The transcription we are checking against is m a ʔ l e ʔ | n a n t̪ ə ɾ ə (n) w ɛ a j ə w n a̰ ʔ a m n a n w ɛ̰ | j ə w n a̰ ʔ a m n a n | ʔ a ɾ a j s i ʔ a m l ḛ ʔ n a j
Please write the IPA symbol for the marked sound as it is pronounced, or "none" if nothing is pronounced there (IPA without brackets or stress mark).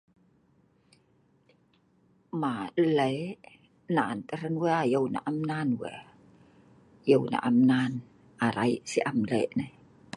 n